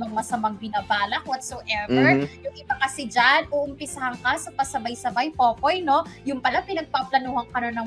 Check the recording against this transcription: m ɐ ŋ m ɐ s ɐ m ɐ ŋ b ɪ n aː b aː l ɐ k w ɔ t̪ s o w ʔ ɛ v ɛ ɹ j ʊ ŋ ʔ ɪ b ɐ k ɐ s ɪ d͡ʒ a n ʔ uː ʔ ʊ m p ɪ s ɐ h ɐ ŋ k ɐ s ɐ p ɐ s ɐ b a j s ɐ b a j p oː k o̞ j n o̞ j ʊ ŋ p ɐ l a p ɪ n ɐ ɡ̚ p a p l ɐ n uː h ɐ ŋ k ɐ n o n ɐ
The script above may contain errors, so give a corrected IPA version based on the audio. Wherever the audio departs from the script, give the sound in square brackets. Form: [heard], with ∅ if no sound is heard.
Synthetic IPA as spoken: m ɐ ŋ m ɐ s ɐ m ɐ ŋ b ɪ n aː b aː l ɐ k w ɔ t̪ s o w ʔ ɛ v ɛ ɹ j ʊ ŋ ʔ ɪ b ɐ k ɐ s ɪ d͡ʒ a n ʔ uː ʔ ʊ m p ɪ s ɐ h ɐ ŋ k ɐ s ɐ p ɐ s ɐ b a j s ɐ b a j p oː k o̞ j n o̞ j ʊ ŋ p ɐ l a p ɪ n ɐ ɡ̚ p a p l ɐ n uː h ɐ ŋ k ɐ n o n ɐ